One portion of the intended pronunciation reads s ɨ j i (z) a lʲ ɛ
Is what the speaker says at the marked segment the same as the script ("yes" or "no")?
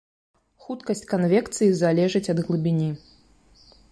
yes